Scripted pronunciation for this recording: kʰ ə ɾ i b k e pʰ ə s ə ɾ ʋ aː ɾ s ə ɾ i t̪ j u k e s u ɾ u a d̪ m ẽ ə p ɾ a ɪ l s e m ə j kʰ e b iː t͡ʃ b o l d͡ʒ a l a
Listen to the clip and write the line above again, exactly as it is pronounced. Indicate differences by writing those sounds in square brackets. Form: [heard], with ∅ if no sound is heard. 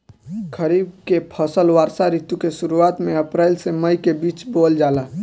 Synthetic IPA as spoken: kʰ ə ɾ i b k e pʰ ə s ə [l] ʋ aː ɾ s [a] ɾ i t̪ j u k e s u ɾ u a [t̪] m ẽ ə p ɾ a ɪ l s e m ə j [k] e b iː t͡ʃ b o l d͡ʒ a l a